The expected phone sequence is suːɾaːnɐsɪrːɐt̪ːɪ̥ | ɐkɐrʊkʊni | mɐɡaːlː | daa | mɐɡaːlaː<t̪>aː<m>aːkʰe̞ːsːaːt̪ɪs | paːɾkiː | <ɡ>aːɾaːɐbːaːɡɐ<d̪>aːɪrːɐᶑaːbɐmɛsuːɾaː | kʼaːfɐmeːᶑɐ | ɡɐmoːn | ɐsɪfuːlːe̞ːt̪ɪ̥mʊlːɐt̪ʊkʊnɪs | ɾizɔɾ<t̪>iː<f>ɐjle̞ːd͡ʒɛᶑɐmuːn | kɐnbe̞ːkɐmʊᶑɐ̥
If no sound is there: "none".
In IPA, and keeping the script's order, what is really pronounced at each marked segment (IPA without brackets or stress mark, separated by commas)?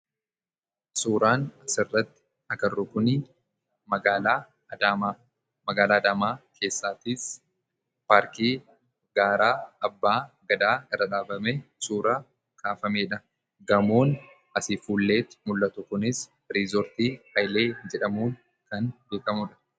d̪, m, ɡ, d̪, t̪, h